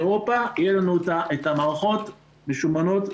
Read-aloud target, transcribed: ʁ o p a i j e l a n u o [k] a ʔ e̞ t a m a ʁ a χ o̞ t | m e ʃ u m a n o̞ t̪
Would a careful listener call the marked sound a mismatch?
yes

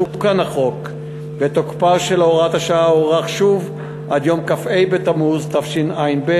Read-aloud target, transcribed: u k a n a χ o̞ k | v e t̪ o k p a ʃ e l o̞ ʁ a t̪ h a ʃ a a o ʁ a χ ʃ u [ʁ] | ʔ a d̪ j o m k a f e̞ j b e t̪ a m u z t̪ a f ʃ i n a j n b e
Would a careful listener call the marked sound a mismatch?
yes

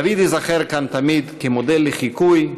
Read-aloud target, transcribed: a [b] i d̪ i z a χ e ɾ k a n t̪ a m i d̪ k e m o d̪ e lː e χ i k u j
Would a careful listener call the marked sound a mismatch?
yes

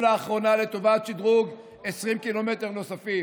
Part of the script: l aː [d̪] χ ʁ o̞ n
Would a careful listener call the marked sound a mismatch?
yes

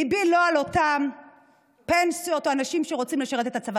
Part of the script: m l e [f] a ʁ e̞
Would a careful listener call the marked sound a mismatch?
yes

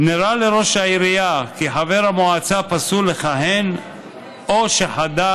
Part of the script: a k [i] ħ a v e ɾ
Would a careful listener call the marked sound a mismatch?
no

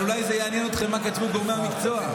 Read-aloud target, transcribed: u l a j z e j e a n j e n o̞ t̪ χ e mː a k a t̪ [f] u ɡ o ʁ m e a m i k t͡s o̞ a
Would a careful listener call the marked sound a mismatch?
yes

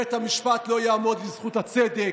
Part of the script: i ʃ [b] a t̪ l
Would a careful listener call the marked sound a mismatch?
yes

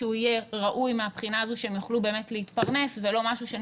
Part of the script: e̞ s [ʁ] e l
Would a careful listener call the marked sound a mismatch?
yes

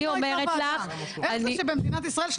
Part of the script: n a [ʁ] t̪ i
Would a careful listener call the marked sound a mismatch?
yes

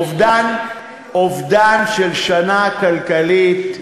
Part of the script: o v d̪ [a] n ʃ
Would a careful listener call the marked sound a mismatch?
no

